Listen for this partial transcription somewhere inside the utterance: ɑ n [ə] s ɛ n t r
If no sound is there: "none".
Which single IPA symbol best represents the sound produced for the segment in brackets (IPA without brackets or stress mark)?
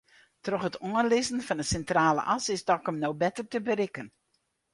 ə